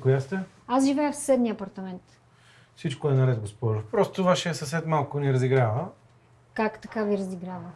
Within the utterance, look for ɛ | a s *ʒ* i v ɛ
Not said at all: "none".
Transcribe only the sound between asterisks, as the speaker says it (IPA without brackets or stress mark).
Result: ʒ